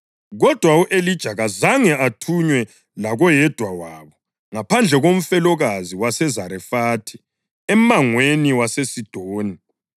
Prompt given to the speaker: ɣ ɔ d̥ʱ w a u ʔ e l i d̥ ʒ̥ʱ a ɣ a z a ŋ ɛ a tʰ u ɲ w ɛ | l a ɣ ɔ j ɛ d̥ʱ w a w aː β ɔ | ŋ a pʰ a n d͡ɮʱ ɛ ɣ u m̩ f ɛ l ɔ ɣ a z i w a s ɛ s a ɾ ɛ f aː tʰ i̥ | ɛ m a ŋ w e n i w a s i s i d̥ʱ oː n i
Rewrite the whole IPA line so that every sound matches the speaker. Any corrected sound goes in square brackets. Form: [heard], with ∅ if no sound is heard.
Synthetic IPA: ɣ ɔ d̥ʱ w a u ʔ e l i d̥ ʒ̥ʱ a ɣ a z a ŋ ɛ a tʰ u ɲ w ɛ | l a ɣ ɔ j ɛ d̥ʱ w a w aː β ɔ | ŋ a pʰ a n d͡ɮʱ ɛ ɣ [o] m̩ f ɛ l ɔ ɣ a z i w a s ɛ [z] a ɾ ɛ f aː tʰ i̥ | ɛ m a ŋ w e n i w a s [e] s i d̥ʱ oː n i